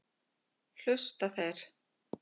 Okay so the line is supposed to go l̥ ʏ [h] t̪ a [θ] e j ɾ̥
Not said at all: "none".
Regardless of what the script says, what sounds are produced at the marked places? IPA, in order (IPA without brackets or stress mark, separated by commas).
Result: s, θ